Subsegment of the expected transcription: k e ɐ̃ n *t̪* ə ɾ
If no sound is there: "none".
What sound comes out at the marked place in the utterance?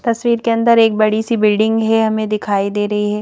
d̪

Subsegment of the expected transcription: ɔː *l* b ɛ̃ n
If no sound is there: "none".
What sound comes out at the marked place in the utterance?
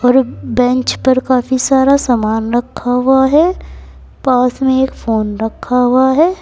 ɾ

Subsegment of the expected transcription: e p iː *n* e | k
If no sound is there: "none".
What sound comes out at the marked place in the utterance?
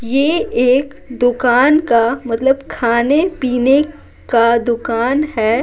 n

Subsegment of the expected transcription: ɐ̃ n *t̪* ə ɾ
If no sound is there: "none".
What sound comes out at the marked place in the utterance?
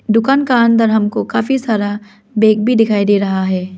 d̪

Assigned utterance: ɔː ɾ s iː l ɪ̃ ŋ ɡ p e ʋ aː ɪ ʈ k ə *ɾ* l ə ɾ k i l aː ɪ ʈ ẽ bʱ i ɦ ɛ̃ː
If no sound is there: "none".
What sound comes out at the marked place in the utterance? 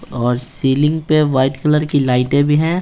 none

